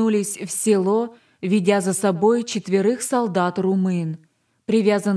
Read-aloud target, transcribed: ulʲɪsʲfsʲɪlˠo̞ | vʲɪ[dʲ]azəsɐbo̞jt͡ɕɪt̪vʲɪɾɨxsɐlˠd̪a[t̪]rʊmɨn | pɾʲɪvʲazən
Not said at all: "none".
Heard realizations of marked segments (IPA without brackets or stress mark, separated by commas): dʲ, t̪